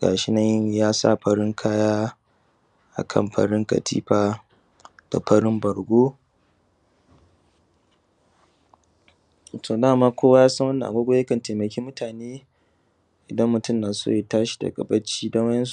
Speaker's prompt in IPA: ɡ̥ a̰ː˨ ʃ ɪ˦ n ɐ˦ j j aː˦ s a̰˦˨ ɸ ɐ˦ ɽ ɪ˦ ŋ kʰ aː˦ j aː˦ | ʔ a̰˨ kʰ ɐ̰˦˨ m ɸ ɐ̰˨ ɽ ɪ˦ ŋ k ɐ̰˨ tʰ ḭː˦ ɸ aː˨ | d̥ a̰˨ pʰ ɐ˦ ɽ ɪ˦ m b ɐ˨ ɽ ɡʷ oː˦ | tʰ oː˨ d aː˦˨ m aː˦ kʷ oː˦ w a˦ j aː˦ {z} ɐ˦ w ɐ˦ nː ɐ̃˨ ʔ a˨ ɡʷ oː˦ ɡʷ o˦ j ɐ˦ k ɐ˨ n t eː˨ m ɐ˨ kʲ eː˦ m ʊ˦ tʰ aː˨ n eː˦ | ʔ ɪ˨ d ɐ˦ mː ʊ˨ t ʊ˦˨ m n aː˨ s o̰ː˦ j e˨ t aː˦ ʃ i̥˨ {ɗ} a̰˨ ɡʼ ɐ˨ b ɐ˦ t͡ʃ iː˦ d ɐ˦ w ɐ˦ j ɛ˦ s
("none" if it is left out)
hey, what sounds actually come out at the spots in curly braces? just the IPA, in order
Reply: s, d

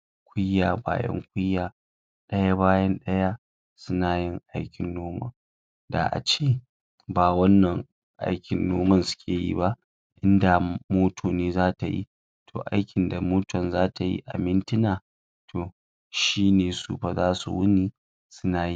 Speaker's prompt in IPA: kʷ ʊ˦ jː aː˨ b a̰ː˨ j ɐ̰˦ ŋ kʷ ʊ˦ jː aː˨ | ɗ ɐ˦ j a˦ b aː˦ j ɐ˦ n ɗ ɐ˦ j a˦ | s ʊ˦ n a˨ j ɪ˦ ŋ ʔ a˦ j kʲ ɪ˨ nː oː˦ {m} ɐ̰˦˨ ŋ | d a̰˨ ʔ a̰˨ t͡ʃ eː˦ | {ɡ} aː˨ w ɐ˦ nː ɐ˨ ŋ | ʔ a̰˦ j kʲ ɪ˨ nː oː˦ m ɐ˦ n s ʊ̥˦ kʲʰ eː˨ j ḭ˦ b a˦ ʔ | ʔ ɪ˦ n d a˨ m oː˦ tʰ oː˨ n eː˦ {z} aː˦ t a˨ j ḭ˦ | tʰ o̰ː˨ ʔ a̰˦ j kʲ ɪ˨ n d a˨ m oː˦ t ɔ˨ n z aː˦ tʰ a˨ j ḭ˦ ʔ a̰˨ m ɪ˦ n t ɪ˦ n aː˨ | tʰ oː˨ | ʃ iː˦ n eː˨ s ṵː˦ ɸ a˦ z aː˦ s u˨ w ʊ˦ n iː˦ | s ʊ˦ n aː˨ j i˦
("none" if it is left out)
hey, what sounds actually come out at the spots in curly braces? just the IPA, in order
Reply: m, b, z

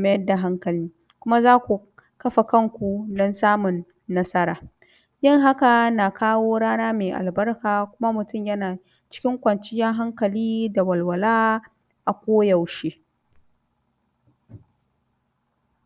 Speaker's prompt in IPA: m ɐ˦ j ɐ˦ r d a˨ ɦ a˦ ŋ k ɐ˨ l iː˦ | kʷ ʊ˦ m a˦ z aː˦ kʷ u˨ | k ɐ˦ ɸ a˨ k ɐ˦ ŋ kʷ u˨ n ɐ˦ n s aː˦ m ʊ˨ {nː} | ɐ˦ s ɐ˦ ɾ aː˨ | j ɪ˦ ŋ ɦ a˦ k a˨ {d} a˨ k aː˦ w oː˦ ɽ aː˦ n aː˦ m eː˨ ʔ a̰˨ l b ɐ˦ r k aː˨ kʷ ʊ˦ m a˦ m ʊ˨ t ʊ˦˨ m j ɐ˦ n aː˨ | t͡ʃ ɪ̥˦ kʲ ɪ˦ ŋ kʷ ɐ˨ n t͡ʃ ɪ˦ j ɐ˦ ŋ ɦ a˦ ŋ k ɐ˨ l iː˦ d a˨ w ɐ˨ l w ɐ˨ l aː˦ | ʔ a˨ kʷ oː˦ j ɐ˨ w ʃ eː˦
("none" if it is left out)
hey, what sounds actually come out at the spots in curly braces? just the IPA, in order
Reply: nː, n

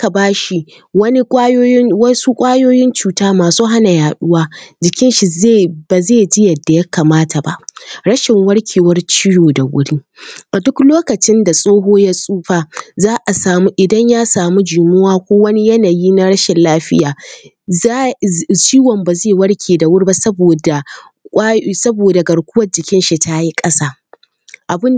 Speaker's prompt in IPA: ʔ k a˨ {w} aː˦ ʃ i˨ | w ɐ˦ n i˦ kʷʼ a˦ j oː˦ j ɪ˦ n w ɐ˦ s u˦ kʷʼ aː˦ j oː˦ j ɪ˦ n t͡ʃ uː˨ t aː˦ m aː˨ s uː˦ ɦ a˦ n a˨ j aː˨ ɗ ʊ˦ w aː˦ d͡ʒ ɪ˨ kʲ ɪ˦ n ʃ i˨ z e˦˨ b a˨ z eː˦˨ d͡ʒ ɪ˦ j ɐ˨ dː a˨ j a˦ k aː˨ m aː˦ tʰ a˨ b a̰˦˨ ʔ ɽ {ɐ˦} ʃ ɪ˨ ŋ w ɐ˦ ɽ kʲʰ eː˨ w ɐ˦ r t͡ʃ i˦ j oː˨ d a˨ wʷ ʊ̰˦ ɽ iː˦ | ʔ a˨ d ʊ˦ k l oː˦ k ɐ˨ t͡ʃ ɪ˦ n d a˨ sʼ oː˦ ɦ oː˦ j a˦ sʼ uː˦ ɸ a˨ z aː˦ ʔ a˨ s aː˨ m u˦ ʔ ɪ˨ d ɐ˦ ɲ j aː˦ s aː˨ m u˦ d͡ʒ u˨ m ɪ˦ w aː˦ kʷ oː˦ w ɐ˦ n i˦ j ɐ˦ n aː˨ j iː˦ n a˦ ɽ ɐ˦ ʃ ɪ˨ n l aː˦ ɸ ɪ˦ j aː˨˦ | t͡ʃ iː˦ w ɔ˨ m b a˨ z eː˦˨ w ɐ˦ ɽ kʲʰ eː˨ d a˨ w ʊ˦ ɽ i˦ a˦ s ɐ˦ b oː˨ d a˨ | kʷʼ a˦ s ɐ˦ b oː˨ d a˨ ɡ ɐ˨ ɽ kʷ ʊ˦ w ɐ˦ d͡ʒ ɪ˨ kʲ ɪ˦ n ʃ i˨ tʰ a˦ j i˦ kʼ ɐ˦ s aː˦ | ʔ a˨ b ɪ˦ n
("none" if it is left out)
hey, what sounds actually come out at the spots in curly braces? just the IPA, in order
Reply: b, ɐ˦

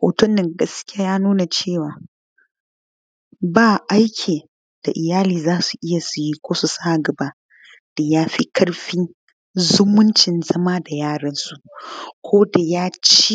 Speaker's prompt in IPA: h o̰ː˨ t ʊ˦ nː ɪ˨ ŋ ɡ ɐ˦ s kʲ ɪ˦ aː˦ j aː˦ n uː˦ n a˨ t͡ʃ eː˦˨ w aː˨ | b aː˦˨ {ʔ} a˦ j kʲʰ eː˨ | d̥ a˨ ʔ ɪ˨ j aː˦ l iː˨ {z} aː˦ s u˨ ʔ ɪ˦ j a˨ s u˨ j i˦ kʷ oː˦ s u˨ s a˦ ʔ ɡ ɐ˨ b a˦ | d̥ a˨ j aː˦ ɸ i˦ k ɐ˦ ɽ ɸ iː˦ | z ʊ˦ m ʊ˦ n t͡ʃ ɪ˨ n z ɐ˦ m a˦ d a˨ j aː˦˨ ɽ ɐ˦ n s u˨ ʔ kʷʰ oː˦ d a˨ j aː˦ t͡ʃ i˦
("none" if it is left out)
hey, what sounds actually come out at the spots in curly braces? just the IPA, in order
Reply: ʔ, z

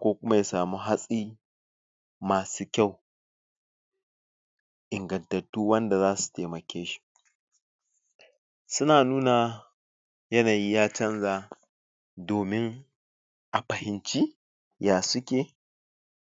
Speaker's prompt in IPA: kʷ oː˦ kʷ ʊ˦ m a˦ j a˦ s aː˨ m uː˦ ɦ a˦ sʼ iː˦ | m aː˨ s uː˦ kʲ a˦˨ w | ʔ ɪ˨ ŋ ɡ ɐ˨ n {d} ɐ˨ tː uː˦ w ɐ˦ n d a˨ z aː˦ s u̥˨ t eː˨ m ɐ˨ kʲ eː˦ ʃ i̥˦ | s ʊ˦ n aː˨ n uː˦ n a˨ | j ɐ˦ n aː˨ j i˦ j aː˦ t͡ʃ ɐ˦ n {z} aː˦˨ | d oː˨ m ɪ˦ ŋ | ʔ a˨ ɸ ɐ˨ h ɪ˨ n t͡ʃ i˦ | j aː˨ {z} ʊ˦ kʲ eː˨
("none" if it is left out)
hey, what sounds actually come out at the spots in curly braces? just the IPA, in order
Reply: t, z, s

